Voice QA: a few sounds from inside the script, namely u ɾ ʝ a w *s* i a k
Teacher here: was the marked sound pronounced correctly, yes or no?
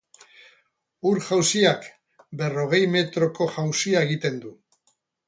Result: yes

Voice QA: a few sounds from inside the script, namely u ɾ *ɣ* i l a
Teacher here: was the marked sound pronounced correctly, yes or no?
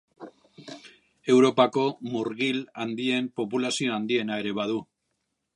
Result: yes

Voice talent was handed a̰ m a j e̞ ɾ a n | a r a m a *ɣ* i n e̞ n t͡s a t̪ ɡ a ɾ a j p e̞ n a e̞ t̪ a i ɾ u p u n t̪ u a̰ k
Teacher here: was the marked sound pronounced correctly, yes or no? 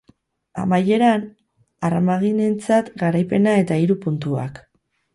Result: yes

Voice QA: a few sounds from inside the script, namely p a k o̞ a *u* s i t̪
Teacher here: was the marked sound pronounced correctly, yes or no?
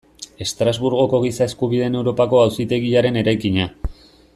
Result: no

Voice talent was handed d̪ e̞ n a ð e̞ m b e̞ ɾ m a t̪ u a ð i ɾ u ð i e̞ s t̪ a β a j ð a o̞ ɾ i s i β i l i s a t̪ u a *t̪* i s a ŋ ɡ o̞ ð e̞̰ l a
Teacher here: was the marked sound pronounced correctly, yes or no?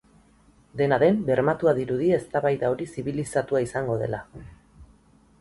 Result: no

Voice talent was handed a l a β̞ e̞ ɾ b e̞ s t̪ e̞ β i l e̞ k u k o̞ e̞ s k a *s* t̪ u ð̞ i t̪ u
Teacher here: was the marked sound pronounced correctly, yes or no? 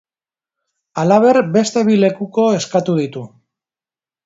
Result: no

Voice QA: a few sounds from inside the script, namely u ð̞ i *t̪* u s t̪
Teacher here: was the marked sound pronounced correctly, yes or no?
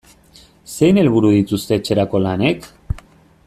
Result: yes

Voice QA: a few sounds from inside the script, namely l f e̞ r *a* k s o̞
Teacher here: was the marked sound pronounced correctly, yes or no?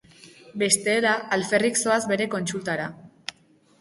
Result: no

